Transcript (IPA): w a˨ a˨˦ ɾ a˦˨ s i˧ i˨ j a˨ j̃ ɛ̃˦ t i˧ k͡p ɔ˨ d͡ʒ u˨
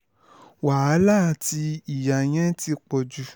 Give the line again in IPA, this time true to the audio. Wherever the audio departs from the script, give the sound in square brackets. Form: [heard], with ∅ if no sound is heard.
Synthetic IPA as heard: w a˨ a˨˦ [l] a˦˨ [t] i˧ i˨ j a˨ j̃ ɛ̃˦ t i˧ k͡p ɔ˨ d͡ʒ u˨